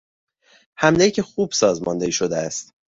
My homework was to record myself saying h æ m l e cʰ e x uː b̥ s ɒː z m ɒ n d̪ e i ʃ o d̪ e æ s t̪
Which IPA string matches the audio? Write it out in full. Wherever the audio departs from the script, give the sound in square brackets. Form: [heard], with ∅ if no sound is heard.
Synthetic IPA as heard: h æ m l e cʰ e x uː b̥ s ɒː z m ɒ n d̪ e i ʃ o d̪ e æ s t̪